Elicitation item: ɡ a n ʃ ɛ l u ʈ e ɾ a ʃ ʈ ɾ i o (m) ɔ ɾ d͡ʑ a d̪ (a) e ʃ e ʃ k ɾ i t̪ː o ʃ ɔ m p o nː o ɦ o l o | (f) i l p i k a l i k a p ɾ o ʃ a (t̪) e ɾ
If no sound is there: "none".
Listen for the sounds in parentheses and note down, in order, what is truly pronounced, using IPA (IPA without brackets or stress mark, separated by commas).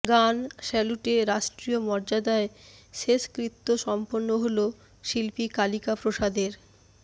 m, a, ʃ, d̪